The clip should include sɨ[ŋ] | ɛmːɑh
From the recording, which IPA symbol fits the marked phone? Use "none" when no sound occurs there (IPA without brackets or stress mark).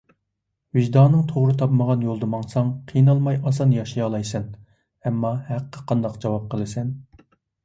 n